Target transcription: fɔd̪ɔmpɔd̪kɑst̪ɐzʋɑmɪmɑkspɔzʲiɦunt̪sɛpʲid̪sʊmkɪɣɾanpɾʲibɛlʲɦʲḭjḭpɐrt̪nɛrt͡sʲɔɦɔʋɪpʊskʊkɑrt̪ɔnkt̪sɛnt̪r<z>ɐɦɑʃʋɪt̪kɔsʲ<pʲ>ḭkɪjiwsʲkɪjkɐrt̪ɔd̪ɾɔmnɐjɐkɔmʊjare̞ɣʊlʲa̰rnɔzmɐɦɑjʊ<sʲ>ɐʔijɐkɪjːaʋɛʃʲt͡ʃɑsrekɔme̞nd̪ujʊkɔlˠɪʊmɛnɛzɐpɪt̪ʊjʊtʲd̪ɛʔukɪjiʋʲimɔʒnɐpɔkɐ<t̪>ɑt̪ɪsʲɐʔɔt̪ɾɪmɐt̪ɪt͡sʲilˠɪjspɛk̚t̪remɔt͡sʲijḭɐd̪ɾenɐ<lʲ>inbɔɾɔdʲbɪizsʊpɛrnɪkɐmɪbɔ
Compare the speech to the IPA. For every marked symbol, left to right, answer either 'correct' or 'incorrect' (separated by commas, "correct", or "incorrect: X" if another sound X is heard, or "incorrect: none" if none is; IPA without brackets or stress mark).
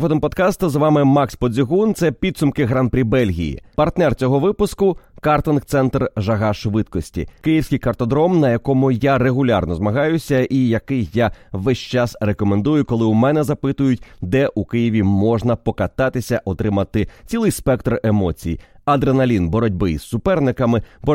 incorrect: ʒ, incorrect: tʲ, correct, correct, correct